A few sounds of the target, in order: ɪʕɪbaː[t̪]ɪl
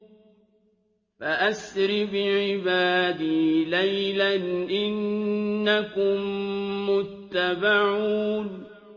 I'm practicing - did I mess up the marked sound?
yes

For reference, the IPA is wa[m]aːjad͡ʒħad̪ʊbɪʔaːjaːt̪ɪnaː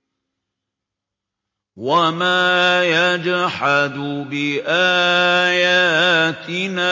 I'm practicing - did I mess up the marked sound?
no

